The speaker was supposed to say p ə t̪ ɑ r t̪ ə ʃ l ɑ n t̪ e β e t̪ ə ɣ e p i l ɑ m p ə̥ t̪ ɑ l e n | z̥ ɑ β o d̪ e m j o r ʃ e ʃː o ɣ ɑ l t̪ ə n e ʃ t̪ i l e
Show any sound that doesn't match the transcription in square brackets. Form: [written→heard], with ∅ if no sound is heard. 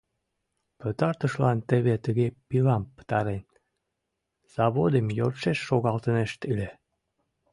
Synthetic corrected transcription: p ə t̪ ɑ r t̪ ə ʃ l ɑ n t̪ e β e t̪ ə ɣ e p i l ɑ m p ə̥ t̪ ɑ [l→ɾ] e n | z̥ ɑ β o d̪ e m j o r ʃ e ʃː o ɣ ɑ l t̪ ə n e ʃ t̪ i l e